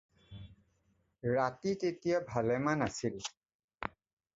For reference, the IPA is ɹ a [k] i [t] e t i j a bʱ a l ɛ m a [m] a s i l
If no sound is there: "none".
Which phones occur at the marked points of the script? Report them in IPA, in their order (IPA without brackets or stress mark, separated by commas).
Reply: t, t, n